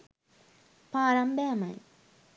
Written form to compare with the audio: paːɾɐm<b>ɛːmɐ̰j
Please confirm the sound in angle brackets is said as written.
yes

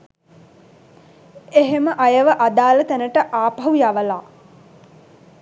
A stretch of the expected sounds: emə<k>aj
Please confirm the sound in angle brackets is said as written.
no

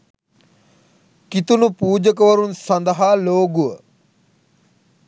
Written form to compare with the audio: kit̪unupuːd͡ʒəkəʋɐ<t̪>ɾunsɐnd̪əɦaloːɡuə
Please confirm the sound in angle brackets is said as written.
no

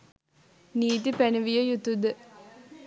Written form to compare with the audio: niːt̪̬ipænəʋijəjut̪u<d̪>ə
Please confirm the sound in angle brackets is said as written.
yes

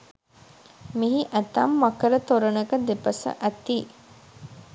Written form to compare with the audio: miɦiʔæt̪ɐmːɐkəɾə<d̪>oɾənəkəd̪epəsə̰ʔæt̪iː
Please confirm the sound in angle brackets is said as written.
no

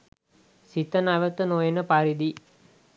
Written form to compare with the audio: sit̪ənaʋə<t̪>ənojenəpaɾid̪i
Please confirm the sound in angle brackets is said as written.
yes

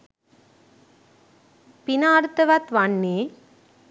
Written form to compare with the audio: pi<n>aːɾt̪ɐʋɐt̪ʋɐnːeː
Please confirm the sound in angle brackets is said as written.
yes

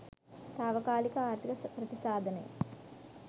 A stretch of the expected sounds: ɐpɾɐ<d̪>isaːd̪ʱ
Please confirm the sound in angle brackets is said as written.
no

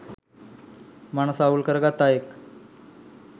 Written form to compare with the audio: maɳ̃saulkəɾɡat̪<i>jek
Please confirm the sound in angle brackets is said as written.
no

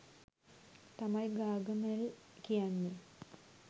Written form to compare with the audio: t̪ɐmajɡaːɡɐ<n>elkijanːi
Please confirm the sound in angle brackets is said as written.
no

